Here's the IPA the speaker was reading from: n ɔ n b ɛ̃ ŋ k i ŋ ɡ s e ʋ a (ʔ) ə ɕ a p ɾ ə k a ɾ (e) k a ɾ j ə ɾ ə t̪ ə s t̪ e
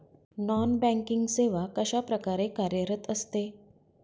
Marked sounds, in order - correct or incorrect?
incorrect: k, correct

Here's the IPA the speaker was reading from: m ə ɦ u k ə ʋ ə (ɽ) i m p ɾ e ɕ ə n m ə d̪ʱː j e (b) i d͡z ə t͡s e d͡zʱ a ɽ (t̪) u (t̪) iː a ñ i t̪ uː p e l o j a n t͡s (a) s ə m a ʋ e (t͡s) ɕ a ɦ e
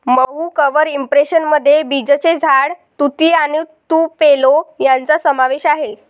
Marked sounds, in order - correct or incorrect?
incorrect: ɾ, correct, correct, correct, correct, incorrect: none

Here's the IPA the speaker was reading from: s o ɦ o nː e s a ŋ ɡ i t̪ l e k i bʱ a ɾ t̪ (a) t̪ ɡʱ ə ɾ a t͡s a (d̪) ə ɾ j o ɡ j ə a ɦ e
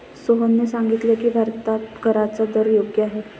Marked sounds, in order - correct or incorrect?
correct, correct

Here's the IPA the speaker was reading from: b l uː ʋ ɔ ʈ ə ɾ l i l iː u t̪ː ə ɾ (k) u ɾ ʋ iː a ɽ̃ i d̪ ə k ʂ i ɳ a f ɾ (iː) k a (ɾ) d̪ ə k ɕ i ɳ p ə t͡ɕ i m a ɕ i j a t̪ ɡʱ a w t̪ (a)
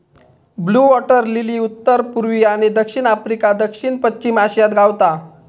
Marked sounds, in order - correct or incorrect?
incorrect: p, incorrect: i, incorrect: none, correct

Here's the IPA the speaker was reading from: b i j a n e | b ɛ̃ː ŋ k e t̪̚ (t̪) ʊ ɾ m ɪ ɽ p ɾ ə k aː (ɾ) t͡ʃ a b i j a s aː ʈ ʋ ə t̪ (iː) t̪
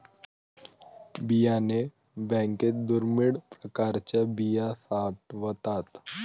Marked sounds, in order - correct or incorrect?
incorrect: d̪, correct, incorrect: aː

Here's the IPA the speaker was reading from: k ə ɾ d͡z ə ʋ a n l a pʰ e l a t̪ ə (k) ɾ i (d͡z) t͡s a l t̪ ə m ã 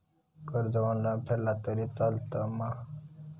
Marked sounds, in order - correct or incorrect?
incorrect: none, incorrect: none

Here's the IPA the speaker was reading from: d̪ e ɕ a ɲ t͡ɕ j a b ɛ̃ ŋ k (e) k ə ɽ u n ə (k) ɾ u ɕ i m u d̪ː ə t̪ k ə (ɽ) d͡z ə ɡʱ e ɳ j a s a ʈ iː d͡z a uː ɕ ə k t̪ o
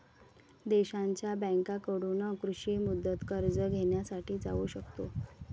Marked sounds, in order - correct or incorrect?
incorrect: a, correct, incorrect: ɾ

